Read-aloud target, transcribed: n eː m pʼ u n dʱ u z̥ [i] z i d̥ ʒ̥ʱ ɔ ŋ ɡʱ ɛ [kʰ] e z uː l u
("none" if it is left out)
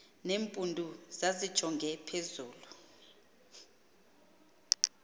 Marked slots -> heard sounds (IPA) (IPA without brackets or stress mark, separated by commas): a, pʰ